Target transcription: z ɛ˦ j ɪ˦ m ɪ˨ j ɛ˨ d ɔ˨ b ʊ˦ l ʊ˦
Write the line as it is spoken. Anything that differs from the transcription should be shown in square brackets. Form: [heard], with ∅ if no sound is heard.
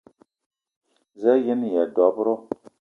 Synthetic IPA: z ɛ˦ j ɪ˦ [n] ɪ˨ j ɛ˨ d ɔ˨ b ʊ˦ [ɾ] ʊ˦